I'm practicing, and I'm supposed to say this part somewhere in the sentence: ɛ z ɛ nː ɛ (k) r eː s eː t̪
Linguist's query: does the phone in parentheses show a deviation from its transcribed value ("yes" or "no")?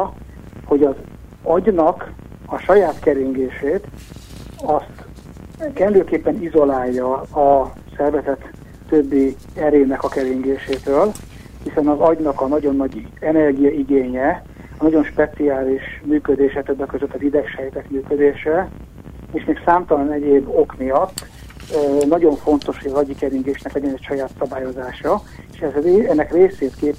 no